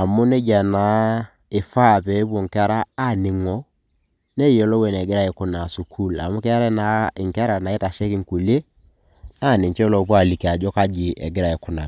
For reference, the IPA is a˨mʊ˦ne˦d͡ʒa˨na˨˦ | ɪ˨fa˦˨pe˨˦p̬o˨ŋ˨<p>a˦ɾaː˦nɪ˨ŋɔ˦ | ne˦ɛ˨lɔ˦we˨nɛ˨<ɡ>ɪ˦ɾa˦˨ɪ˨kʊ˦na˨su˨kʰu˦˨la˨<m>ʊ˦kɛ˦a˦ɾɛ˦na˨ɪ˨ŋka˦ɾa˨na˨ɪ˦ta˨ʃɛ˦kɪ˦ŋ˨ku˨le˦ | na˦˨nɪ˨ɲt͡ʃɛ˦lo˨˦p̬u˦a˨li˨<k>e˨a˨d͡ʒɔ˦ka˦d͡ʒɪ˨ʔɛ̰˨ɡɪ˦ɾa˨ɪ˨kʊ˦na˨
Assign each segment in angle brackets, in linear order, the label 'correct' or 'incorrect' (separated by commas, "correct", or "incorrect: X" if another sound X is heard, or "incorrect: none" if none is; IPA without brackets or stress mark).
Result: incorrect: k, correct, correct, correct